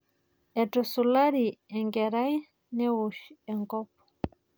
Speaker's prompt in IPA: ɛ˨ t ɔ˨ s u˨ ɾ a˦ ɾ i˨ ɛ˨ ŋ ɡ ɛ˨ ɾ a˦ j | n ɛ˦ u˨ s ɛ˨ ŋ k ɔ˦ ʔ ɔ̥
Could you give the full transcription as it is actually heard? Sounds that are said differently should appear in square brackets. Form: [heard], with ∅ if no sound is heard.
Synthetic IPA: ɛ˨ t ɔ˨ s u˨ [l] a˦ ɾ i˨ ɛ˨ ŋ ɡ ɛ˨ ɾ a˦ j | n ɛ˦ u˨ [ʃ] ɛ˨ ŋ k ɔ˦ [p] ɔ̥